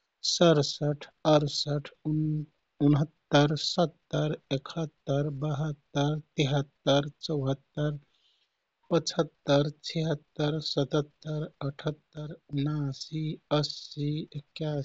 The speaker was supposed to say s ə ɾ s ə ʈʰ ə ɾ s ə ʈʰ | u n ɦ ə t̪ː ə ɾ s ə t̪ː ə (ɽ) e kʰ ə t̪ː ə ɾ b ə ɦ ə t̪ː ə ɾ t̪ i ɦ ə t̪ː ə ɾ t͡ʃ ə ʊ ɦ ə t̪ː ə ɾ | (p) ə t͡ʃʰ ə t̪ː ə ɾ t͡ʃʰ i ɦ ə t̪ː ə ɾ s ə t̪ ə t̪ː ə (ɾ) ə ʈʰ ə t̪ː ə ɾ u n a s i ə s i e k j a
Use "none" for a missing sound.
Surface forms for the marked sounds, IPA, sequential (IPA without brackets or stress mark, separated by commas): ɾ, p, ɾ